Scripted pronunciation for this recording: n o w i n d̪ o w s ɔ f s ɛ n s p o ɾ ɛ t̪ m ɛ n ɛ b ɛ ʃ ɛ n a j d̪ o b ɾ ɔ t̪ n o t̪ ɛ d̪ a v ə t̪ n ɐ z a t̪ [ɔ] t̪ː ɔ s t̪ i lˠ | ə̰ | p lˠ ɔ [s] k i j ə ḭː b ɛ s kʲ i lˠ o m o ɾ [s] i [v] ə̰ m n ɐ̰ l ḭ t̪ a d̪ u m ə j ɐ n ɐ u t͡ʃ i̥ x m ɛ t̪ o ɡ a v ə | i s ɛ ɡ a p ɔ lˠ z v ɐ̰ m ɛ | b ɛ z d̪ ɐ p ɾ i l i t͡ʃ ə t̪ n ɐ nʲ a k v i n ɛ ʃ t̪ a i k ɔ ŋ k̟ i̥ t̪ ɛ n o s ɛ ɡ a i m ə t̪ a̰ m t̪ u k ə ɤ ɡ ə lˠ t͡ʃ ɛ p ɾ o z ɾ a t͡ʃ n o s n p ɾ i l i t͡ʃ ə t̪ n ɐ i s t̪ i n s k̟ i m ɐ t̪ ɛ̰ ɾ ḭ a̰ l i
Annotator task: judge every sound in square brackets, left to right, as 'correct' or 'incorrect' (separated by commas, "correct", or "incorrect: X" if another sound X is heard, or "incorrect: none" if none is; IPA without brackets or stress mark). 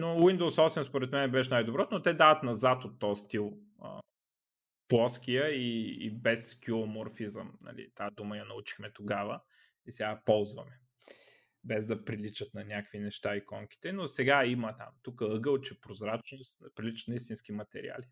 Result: incorrect: o, correct, incorrect: f, incorrect: z